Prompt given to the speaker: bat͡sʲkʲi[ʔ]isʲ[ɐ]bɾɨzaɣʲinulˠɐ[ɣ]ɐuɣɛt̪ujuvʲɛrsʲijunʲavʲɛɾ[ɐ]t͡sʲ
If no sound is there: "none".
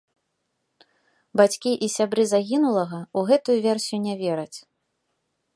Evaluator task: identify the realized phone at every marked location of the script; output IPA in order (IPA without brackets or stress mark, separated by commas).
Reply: ʔ, a, ɣ, ɐ